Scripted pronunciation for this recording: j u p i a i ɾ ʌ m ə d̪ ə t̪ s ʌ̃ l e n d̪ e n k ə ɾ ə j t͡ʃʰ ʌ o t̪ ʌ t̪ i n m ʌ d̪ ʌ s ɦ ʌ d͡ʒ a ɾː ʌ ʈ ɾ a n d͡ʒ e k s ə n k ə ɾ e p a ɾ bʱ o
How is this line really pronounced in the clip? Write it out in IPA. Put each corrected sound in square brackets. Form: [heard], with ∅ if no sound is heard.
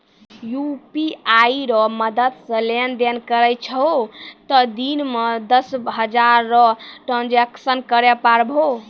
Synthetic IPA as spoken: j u p i a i ɾ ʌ m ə d̪ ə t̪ s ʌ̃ l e n d̪ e n k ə ɾ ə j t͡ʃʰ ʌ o t̪ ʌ [d̪] i n m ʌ d̪ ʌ s ɦ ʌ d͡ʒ a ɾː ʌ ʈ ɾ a n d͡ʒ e k s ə n k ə ɾ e p a ɾ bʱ o